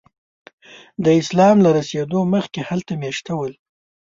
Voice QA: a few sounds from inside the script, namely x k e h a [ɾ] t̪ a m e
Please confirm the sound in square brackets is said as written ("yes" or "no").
no